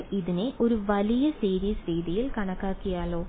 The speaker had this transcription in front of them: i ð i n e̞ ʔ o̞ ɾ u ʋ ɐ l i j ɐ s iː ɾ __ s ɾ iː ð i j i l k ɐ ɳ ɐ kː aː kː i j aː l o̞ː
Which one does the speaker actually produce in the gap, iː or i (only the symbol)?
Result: iː